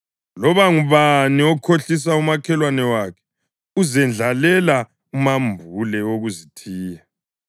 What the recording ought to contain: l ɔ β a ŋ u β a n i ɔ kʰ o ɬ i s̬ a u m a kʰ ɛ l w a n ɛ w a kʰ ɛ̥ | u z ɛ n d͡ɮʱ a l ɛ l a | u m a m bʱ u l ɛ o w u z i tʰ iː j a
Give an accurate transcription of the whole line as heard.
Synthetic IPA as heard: l ɔ β a ŋ u β a n i ɔ kʰ o ɬ i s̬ a u m a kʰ ɛ l w a n ɛ w a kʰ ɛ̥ | u z ɛ n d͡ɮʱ a l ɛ l a | u m a m bʱ u l ɛ o ɣ u z i tʰ iː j a